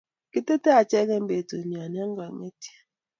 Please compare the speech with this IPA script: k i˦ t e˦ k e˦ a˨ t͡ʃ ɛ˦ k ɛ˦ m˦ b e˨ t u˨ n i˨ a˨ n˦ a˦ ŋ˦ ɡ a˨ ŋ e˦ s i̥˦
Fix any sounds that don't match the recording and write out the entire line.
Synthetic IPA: k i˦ t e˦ t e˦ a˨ t͡ʃ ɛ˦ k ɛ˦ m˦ b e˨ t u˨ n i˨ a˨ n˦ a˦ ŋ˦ ɡ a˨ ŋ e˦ t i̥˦